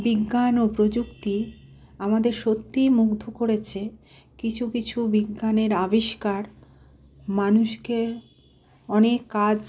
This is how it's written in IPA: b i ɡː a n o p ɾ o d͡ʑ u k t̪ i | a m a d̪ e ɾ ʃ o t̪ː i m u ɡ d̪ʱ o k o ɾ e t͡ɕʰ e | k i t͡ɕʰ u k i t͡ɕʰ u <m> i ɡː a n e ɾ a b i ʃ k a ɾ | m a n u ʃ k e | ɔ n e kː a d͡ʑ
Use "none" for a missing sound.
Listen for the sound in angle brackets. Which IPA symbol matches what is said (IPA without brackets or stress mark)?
b